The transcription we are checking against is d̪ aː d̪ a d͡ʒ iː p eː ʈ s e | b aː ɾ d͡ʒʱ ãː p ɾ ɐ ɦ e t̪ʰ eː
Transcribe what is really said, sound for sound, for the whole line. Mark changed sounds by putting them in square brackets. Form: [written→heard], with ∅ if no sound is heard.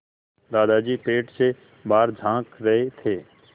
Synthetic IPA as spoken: d̪ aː d̪ a d͡ʒ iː p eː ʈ s e | b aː ɾ d͡ʒʱ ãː [p→k] ɾ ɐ ɦ e t̪ʰ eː